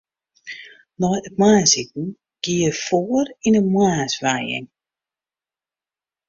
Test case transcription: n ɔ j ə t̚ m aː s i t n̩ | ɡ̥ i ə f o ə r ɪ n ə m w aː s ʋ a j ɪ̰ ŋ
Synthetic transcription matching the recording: n ɔ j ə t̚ m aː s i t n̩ | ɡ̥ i ə f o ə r i n ə m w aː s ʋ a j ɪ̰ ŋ